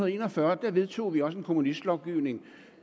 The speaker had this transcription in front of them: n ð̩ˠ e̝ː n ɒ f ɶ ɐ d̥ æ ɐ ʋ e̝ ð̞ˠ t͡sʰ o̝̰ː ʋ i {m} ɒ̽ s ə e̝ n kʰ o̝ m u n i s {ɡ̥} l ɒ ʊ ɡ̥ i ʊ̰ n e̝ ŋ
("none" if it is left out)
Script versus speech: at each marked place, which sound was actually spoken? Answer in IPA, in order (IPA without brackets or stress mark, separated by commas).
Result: none, d̥